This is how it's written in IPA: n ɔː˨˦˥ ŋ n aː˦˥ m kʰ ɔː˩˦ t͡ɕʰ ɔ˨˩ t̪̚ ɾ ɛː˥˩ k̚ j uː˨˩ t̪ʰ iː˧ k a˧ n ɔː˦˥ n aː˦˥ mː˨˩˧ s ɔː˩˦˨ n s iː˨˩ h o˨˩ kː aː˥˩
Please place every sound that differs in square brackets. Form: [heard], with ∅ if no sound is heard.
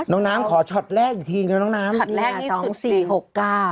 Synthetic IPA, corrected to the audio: n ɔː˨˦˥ ŋ n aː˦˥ m kʰ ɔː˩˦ t͡ɕʰ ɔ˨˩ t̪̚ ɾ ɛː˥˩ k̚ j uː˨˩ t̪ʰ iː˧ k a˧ n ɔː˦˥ n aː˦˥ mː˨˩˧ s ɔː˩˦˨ [ŋ] s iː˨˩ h o˨˩ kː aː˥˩